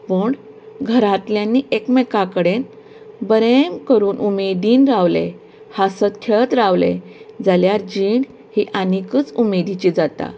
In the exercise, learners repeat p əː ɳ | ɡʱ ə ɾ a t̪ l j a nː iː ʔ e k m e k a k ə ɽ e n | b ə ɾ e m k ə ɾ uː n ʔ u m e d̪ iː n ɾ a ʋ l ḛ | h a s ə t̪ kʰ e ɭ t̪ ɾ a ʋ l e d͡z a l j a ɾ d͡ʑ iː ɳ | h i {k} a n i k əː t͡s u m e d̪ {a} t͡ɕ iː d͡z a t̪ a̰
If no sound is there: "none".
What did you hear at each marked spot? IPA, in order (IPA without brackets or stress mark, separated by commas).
ʔ, i